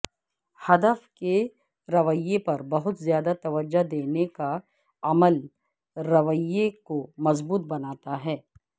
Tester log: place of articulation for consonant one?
glottal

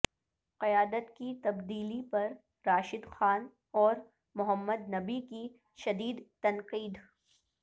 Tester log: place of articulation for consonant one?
uvular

